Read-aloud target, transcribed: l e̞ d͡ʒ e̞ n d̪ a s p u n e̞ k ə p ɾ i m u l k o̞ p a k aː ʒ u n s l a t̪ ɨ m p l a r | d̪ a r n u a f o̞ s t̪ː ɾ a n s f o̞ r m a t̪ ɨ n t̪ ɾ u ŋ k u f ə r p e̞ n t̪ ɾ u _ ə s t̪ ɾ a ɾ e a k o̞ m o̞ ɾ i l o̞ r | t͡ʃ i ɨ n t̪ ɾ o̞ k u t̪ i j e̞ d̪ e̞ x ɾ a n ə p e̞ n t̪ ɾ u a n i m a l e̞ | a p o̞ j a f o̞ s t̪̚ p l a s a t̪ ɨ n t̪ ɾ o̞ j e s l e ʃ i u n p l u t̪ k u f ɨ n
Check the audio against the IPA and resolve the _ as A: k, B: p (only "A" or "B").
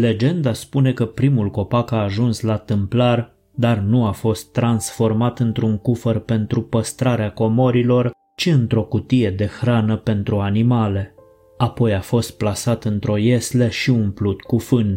B